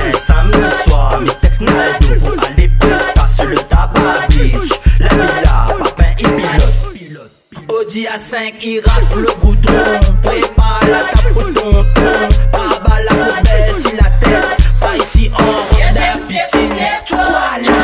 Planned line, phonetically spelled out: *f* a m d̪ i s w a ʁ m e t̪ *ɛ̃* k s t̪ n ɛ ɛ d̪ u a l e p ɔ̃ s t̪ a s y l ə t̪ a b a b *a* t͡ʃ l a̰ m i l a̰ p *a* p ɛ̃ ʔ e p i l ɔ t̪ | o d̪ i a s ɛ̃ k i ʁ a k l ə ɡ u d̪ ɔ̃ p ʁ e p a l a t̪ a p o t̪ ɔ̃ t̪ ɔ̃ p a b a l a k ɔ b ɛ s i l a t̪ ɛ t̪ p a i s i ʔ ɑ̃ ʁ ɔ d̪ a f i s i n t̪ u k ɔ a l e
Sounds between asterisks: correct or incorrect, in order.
incorrect: s, incorrect: ɛ, incorrect: i, correct

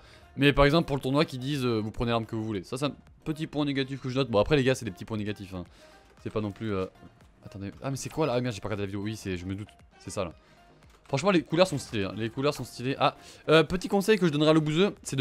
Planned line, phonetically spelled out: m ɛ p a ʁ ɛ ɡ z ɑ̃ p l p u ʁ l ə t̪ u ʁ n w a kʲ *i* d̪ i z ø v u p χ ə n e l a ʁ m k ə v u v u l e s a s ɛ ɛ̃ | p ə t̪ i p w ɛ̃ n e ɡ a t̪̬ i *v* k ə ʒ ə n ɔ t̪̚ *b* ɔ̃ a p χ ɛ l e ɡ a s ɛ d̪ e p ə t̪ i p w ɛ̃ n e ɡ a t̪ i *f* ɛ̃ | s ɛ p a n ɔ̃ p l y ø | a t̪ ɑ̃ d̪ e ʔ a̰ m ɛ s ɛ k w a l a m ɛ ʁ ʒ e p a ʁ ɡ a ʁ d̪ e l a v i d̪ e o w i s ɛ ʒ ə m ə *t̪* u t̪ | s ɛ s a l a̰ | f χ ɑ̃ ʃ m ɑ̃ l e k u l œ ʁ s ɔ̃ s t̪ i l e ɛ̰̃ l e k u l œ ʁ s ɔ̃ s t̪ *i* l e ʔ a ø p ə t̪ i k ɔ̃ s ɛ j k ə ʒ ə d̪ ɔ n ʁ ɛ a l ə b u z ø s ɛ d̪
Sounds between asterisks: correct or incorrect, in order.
correct, incorrect: f, correct, correct, incorrect: d̪, correct

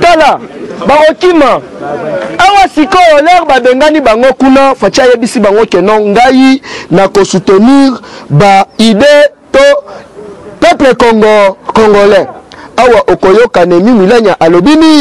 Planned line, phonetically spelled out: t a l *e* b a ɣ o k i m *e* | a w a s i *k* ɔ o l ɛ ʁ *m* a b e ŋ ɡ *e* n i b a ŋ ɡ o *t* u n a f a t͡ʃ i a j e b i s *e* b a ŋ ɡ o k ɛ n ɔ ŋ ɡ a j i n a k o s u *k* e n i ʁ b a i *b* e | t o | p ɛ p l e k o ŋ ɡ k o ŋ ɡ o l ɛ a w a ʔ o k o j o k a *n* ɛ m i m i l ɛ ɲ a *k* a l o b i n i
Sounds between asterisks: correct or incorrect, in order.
incorrect: a, incorrect: a, correct, incorrect: b, incorrect: a, incorrect: k, incorrect: i, incorrect: t, incorrect: d, correct, incorrect: ʔ

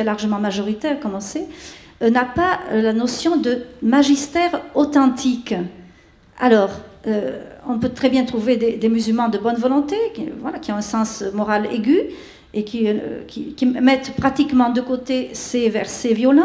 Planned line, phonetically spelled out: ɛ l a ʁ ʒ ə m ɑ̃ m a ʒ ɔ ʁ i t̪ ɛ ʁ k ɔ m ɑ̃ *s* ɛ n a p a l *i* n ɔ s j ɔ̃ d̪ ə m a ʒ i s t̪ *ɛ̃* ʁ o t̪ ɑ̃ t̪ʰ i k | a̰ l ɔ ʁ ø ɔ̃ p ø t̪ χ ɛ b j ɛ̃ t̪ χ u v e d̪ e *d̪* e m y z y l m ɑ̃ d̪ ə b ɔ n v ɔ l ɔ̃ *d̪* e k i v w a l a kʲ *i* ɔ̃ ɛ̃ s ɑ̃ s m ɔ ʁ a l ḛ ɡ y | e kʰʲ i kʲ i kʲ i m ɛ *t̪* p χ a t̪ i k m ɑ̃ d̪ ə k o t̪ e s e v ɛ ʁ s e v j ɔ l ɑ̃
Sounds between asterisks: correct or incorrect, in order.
correct, incorrect: a, incorrect: ɛ, correct, incorrect: t̪, correct, correct

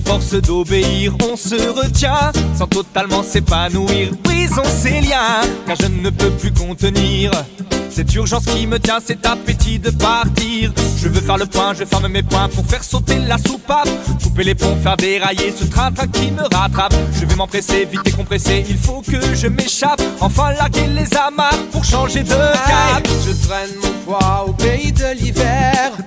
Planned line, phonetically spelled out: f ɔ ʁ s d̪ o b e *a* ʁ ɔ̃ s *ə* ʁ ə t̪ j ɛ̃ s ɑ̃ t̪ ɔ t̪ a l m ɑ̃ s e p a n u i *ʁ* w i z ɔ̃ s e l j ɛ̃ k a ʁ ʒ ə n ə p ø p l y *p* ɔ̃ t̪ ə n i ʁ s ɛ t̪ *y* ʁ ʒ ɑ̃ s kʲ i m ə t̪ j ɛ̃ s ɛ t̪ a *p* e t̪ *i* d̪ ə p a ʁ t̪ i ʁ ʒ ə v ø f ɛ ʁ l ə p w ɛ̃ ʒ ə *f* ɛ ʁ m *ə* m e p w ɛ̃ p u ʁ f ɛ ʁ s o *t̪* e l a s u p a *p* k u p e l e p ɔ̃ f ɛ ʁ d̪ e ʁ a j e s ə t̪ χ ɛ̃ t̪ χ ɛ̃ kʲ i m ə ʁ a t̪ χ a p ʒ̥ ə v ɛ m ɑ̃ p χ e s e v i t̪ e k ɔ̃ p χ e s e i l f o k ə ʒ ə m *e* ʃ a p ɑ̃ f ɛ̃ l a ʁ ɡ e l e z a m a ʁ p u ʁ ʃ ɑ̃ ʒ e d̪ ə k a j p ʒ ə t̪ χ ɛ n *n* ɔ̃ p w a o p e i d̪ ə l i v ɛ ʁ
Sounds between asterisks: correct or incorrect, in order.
incorrect: i, correct, correct, incorrect: k, correct, correct, correct, correct, correct, correct, correct, correct, incorrect: m

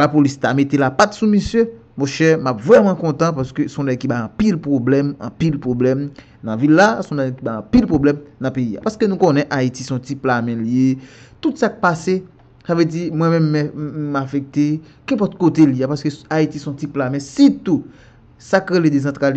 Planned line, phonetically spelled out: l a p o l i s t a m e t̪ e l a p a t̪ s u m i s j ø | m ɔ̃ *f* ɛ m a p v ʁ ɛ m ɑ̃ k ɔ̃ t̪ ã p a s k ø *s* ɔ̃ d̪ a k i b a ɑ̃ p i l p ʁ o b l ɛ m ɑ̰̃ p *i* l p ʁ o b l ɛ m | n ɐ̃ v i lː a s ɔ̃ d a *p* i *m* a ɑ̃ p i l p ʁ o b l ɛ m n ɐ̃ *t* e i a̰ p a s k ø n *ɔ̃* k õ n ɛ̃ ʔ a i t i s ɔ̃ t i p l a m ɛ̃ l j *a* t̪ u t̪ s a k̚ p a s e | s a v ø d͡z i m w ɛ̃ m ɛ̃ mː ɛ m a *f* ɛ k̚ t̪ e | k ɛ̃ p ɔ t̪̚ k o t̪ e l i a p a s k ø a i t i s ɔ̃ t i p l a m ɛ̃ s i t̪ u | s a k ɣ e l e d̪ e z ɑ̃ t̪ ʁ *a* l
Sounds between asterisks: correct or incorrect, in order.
incorrect: ʃ, correct, correct, incorrect: k, incorrect: b, incorrect: p, incorrect: ũ, incorrect: e, correct, correct

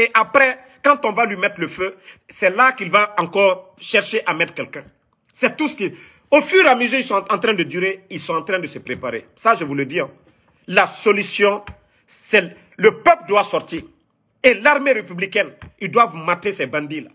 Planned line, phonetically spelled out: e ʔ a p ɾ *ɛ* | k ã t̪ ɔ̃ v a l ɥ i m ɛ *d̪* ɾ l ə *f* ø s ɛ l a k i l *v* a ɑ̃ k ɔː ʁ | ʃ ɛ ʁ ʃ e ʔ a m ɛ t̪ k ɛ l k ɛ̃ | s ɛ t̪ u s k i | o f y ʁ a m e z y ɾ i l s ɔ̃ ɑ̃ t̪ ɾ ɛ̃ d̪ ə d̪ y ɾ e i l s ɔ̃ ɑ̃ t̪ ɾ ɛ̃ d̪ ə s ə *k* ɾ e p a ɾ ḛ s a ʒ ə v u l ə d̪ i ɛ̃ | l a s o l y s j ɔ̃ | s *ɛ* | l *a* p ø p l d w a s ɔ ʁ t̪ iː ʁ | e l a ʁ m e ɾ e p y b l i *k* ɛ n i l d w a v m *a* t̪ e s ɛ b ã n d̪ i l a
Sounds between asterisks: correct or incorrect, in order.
correct, incorrect: t̪, correct, correct, incorrect: p, correct, incorrect: ə, correct, correct

